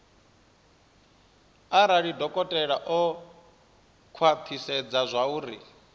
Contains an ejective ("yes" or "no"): yes